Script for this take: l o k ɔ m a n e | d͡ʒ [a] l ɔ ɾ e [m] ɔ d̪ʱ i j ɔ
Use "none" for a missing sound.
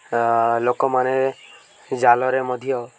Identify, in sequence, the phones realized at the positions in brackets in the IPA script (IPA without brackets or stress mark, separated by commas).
a, m